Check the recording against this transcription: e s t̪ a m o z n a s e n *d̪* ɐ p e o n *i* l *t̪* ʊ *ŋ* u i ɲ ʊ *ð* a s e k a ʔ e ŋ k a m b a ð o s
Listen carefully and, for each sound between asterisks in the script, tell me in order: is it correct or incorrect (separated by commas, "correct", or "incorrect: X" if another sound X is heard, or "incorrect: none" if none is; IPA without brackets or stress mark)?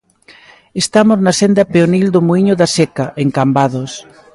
correct, correct, incorrect: d̪, incorrect: m, correct